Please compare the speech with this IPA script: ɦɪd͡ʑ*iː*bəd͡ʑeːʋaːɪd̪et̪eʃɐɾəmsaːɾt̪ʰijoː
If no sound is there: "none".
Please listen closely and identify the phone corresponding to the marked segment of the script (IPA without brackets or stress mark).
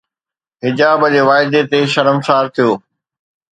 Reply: aː